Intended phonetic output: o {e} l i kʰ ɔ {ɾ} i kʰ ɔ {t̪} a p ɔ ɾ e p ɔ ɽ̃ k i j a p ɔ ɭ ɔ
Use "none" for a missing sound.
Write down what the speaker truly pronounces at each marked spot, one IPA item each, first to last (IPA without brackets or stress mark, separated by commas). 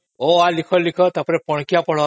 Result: a, l, t̪